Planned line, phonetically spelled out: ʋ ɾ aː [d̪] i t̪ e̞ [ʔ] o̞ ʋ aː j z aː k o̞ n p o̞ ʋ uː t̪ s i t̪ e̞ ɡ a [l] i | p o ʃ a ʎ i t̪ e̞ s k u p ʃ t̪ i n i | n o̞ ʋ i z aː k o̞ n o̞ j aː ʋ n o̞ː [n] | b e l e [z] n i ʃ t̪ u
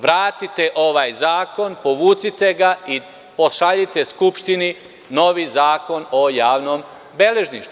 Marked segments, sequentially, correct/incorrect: incorrect: t̪, correct, incorrect: none, incorrect: m, incorrect: ʒ

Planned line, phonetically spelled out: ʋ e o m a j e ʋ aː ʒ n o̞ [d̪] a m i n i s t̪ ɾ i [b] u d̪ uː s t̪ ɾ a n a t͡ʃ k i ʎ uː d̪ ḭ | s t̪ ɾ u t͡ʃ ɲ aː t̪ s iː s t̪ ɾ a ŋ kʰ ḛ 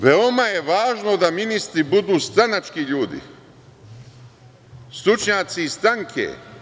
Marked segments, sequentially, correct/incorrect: correct, correct

